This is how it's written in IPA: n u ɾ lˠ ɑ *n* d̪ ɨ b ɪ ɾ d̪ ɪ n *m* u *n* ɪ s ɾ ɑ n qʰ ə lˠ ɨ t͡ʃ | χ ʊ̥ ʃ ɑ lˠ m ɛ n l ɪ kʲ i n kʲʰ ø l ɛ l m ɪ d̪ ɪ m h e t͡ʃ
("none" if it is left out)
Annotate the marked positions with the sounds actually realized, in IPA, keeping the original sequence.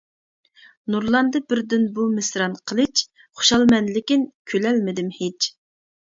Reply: n, b, m

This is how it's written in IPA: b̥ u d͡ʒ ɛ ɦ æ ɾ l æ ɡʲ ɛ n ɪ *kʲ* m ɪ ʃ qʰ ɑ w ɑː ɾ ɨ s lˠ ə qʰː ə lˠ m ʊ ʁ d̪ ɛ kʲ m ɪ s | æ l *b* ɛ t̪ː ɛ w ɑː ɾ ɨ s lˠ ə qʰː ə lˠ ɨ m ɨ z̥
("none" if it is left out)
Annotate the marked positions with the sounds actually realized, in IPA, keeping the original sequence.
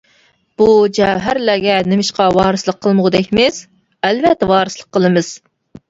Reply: none, v

